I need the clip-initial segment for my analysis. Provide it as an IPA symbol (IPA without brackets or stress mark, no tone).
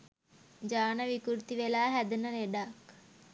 d͡ʒ